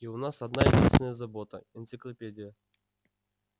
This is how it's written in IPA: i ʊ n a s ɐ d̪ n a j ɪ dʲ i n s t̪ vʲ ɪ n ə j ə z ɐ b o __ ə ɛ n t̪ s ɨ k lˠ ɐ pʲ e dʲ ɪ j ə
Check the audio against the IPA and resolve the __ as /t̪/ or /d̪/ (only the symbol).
t̪